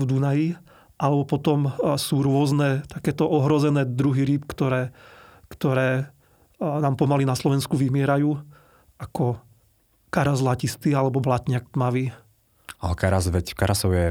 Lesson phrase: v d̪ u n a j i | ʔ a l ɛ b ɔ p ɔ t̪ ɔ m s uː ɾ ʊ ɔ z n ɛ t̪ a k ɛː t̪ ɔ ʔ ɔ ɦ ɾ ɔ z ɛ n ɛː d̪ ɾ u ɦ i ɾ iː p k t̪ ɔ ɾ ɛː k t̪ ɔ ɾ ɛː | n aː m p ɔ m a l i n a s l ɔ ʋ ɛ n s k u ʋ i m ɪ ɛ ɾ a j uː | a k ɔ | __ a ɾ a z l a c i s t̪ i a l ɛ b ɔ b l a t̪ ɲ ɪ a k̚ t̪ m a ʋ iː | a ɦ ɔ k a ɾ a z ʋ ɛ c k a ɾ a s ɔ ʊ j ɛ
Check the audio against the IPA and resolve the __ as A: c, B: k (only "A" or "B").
B